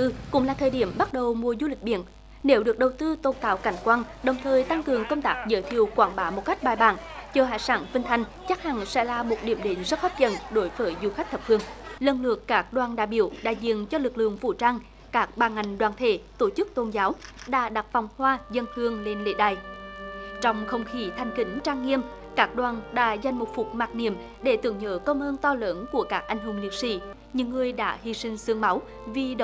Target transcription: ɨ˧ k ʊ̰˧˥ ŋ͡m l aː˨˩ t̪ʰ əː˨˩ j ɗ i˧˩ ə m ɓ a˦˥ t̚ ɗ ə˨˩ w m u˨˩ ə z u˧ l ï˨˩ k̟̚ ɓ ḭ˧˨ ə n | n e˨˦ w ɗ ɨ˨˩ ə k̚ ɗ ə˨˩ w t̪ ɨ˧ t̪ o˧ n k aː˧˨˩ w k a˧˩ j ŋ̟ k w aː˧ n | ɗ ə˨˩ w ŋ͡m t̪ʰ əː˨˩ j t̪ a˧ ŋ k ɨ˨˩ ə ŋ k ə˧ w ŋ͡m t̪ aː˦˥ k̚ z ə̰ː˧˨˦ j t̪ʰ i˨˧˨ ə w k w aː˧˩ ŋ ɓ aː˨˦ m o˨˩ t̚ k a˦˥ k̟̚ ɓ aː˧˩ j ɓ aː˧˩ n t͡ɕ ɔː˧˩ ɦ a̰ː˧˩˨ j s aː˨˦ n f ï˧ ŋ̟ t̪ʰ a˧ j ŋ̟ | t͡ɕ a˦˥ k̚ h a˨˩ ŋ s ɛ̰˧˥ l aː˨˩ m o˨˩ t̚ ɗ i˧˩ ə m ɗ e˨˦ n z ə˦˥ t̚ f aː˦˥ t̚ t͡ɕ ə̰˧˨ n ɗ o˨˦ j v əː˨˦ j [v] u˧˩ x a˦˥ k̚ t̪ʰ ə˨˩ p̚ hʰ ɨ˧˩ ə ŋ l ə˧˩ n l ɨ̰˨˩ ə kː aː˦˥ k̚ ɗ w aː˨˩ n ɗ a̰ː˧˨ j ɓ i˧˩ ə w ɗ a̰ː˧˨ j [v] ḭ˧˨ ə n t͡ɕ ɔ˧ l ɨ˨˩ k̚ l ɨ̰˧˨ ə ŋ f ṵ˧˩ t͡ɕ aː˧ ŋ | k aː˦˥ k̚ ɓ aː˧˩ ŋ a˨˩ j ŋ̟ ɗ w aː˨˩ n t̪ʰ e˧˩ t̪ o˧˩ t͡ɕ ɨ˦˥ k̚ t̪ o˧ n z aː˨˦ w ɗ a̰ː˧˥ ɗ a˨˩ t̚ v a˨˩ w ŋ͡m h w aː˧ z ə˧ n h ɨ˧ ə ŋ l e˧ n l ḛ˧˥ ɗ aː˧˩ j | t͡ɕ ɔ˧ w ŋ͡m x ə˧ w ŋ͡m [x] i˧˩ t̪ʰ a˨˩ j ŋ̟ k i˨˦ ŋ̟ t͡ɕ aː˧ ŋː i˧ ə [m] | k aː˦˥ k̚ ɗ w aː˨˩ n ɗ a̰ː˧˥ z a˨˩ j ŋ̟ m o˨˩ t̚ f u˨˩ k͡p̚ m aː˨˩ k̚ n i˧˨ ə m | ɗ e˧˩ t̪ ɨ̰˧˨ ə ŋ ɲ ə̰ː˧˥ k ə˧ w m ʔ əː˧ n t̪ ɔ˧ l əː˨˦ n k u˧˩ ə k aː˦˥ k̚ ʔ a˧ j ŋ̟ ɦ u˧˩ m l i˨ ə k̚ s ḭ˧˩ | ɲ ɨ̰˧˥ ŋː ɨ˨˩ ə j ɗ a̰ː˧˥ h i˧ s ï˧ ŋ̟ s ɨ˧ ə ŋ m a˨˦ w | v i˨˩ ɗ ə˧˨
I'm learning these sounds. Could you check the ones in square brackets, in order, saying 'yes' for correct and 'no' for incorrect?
no, no, yes, yes

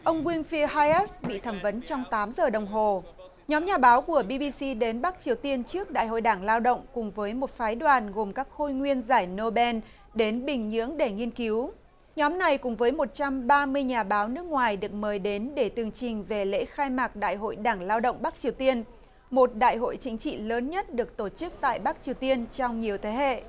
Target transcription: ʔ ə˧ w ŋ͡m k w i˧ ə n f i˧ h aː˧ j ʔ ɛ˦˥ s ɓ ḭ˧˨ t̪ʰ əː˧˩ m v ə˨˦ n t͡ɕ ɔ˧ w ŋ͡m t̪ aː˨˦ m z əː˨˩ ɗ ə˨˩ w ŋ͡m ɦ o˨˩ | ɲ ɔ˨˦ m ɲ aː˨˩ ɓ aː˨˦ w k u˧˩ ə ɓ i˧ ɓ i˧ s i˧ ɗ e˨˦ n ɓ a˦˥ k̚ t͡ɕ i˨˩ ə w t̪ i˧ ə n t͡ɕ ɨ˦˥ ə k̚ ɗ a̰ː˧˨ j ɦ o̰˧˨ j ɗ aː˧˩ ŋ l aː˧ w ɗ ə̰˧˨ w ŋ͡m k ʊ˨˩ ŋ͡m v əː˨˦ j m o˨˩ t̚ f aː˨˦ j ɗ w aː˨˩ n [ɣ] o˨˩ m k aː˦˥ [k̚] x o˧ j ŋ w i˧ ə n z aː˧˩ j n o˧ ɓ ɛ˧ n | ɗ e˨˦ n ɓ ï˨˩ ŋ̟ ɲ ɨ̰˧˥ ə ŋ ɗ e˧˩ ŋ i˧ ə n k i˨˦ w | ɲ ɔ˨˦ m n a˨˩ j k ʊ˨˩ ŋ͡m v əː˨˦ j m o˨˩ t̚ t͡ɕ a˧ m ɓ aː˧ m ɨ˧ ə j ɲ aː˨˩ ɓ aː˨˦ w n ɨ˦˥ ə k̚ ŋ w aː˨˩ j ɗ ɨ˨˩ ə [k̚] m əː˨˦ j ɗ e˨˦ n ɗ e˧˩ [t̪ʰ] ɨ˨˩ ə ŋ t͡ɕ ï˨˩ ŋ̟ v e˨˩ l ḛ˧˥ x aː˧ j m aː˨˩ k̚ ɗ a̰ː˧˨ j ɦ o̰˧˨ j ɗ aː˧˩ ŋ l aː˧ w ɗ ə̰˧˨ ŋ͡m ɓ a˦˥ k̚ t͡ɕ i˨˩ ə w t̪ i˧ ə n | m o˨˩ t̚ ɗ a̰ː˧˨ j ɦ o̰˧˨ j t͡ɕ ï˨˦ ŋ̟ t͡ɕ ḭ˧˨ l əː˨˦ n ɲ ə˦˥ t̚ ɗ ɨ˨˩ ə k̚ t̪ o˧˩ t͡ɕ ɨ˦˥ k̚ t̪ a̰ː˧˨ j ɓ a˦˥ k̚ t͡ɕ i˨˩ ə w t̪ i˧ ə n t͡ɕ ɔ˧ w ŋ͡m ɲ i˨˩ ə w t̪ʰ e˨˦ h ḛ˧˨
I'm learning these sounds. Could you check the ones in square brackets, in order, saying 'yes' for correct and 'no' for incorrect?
yes, yes, yes, no

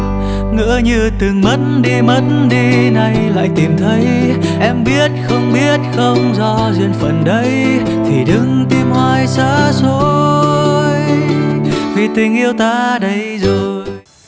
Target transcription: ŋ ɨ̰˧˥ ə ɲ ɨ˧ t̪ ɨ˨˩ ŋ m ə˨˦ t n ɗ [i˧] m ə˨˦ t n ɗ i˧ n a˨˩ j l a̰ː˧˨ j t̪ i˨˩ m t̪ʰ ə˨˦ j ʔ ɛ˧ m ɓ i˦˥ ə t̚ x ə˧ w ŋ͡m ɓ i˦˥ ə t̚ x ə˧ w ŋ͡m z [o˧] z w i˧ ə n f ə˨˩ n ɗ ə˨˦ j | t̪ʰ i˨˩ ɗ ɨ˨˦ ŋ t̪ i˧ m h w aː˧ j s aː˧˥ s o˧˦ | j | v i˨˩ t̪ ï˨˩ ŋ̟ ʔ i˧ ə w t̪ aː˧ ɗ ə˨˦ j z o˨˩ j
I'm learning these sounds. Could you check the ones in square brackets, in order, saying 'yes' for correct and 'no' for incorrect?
yes, no

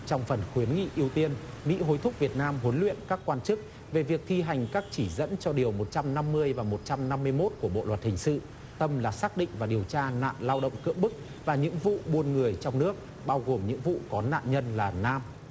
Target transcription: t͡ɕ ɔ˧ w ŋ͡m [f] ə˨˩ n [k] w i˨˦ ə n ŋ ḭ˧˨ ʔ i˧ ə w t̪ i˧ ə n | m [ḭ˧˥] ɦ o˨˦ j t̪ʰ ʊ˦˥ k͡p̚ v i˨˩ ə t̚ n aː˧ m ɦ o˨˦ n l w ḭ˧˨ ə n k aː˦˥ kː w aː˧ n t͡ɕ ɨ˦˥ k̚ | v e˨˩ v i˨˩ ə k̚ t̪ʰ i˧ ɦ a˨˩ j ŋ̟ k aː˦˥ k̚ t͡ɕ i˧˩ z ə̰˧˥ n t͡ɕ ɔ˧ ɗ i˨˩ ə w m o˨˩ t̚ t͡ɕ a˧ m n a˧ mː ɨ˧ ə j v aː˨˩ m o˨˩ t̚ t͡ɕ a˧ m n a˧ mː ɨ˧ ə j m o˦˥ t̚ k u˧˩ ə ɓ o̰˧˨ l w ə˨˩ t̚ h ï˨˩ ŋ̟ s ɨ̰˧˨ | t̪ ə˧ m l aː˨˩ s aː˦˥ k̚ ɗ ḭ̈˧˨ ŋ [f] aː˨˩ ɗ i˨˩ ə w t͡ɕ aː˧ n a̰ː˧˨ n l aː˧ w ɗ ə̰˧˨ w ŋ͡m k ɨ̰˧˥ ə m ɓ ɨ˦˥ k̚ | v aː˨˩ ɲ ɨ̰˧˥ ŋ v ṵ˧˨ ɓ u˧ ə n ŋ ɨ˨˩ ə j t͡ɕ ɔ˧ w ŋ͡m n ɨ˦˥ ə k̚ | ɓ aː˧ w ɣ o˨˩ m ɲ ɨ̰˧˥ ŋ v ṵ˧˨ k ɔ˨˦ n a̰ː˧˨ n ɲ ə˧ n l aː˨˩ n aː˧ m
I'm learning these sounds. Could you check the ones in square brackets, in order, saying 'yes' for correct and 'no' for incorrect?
yes, no, yes, no

